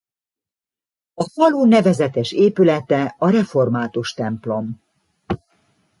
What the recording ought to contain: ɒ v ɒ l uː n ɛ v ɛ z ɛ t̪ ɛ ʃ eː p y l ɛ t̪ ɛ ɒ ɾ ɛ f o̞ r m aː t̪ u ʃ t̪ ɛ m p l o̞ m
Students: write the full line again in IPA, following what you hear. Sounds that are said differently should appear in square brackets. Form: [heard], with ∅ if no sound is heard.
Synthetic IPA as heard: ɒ [f] ɒ l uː n ɛ v ɛ z ɛ t̪ ɛ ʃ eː p y l ɛ t̪ ɛ ɒ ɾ ɛ f o̞ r m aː t̪ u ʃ t̪ ɛ m p l o̞ m